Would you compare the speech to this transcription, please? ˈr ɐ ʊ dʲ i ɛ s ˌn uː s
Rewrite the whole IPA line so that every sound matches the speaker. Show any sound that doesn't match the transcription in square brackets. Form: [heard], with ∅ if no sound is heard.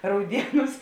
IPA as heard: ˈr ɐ ʊ dʲ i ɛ [∅] ˌn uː s